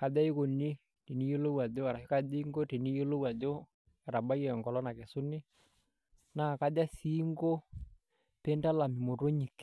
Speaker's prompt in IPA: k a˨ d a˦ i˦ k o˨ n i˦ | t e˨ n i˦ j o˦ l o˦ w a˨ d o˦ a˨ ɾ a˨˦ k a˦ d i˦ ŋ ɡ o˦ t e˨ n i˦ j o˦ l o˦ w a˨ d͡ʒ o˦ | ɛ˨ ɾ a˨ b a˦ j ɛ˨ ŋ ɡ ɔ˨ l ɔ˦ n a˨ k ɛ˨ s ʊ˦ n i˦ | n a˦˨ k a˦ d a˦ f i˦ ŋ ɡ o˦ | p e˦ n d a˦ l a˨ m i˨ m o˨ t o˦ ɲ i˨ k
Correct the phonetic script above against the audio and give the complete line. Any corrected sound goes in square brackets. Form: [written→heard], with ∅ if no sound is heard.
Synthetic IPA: k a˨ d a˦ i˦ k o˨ n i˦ | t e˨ n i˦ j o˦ l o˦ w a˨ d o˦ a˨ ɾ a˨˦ k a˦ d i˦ ŋ ɡ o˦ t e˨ n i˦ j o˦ l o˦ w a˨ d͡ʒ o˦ | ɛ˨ ɾ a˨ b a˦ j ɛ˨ ŋ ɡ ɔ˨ l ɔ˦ n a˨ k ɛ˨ s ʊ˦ n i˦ | n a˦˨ k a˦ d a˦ [f→s] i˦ ŋ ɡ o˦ | p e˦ n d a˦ l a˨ m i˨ m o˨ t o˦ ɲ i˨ k